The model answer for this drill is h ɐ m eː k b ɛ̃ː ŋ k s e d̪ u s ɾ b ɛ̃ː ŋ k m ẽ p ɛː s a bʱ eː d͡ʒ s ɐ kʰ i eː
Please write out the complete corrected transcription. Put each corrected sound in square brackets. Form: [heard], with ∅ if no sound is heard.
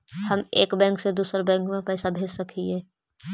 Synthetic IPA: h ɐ m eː k b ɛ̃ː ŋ k s e d̪ [uː] s ɾ b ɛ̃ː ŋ k m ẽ p ɛː s a bʱ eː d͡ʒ s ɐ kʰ i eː